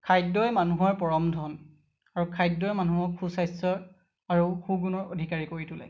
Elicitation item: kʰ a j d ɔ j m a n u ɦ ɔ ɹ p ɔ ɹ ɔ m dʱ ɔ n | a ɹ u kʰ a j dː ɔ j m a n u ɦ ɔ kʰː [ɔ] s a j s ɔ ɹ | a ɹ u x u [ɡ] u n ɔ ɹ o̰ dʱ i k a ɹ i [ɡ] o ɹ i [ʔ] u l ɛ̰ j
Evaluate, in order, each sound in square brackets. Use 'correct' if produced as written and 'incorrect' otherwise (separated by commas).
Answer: incorrect, correct, incorrect, incorrect